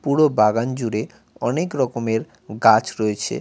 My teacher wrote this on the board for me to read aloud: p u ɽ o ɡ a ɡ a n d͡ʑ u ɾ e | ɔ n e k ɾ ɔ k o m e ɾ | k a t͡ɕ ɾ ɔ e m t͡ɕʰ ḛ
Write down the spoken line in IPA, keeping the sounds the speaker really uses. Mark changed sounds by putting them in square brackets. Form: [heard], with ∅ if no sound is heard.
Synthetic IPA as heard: p u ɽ o [b] a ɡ a n d͡ʑ u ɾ e | ɔ n e k ɾ ɔ k o m e ɾ | [ɡ] a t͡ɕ ɾ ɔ e [∅] t͡ɕʰ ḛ